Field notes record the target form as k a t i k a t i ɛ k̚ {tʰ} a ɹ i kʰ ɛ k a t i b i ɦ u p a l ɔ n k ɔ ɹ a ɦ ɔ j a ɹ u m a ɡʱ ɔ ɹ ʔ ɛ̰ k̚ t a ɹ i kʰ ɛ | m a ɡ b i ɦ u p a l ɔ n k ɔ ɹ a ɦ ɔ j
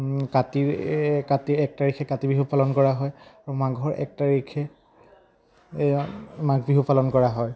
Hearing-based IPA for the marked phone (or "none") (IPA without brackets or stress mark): t